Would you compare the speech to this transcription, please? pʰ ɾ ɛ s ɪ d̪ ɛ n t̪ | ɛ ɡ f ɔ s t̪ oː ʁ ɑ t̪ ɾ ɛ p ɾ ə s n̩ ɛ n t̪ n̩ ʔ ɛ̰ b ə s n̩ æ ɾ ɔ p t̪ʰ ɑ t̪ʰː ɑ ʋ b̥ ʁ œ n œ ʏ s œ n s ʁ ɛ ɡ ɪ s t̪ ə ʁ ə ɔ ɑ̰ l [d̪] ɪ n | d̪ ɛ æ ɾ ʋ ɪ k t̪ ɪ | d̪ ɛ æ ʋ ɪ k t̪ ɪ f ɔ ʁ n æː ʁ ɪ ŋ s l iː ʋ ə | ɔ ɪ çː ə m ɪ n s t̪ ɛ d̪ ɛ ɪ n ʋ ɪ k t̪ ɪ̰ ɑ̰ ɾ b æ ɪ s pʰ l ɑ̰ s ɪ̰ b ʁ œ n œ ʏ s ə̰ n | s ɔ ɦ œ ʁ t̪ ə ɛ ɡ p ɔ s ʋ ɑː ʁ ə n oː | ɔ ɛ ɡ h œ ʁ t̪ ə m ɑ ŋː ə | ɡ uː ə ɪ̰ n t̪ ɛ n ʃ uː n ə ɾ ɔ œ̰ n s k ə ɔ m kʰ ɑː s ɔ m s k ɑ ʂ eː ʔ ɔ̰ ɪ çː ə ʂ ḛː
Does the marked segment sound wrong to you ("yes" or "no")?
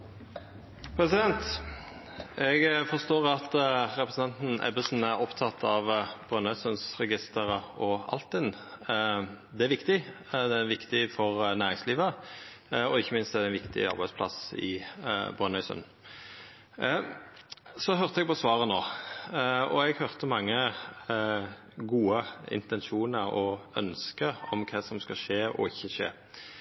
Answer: yes